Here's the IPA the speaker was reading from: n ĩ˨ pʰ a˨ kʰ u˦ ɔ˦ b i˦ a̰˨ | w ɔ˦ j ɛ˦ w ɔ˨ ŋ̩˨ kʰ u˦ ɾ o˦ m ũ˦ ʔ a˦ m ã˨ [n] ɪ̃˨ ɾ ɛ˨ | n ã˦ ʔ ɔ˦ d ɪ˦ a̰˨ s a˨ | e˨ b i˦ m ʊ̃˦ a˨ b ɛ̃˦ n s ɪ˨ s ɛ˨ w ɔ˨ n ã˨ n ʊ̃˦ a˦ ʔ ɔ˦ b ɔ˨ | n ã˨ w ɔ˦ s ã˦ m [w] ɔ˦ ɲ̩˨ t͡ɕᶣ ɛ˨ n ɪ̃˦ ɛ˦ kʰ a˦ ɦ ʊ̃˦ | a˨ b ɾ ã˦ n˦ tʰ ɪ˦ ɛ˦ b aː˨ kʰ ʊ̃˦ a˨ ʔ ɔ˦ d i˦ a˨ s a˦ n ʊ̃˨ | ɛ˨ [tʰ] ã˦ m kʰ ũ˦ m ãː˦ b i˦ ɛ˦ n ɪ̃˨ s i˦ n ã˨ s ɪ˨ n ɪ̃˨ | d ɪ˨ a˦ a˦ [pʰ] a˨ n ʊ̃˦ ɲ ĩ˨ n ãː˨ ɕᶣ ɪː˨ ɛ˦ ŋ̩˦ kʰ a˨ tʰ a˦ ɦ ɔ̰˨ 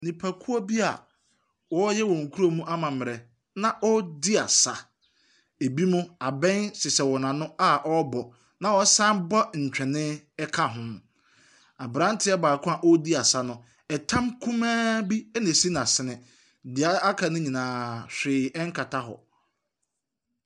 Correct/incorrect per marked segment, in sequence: incorrect, incorrect, correct, incorrect

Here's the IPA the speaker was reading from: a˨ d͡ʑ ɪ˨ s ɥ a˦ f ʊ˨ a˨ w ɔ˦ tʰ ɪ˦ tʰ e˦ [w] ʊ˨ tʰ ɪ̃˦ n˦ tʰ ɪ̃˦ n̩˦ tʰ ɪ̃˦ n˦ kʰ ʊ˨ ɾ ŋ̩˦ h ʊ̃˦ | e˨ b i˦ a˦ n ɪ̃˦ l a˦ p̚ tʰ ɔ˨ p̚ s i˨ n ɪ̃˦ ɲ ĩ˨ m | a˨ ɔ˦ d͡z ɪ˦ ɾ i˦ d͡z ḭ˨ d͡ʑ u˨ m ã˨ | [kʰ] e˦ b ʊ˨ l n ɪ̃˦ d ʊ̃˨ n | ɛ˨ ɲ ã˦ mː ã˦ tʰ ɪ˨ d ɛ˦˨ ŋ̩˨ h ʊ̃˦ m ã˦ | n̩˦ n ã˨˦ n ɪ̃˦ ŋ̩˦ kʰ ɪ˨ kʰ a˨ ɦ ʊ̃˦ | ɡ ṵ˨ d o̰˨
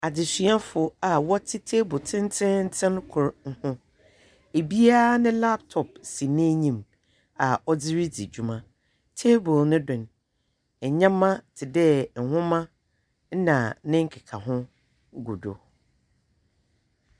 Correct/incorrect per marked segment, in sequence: incorrect, incorrect

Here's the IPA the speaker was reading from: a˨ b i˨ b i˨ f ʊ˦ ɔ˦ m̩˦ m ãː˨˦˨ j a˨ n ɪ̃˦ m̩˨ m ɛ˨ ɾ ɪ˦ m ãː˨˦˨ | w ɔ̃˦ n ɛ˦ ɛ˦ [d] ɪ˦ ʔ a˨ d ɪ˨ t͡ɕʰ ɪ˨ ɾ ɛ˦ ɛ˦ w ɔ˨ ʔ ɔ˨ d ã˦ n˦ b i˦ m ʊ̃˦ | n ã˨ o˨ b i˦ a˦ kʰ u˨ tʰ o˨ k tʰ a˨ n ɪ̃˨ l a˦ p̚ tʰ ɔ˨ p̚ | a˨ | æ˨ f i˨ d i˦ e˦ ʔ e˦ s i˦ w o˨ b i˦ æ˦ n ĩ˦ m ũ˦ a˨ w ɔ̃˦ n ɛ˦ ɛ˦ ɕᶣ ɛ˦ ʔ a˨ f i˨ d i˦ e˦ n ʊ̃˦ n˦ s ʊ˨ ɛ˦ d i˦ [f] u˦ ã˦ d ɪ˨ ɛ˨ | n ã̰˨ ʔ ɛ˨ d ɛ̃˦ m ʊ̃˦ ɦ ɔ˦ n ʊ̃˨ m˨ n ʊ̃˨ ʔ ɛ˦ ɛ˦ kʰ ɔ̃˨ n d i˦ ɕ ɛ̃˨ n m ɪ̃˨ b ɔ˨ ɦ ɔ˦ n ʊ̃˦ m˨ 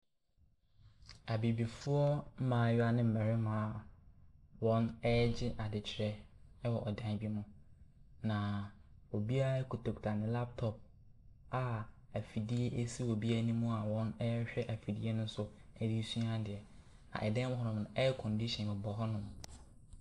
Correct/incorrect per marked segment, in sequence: incorrect, incorrect

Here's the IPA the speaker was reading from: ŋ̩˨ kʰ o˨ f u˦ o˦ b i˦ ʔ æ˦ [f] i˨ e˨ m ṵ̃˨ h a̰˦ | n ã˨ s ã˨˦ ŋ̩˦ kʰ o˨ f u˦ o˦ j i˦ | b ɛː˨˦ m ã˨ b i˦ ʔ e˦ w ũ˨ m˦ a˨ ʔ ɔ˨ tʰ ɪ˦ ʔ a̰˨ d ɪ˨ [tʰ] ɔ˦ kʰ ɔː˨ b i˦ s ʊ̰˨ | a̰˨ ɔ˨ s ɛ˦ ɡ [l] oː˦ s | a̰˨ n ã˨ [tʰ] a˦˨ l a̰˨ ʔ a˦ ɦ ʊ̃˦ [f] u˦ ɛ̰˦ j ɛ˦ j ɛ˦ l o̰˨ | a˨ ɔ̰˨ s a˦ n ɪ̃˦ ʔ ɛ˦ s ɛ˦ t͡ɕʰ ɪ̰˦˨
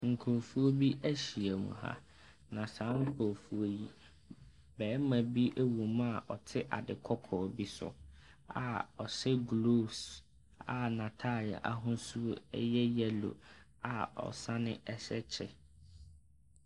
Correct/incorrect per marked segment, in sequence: incorrect, incorrect, correct, correct, incorrect

